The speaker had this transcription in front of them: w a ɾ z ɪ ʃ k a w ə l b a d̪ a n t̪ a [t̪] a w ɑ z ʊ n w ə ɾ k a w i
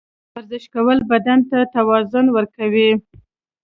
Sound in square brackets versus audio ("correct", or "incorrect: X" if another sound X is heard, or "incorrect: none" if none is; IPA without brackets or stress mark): correct